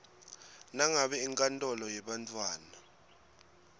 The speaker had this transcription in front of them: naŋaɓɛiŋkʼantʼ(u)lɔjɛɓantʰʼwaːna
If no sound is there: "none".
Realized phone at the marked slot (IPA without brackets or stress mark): ɔ